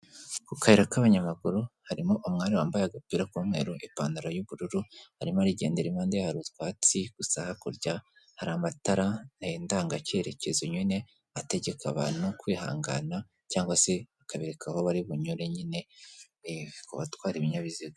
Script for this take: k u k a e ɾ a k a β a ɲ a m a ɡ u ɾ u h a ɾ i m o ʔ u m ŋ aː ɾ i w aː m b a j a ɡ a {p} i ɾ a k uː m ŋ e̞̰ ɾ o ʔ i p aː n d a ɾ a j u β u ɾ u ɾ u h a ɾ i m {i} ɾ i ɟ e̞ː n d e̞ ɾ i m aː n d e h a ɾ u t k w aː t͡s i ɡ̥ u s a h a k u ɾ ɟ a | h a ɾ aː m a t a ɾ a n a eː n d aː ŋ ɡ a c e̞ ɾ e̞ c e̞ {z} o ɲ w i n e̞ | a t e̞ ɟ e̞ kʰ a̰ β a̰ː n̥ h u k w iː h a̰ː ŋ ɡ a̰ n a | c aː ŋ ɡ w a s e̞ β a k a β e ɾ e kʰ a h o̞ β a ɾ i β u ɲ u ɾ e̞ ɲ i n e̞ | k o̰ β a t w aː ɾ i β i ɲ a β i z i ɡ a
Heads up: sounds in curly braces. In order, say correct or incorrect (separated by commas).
correct, incorrect, correct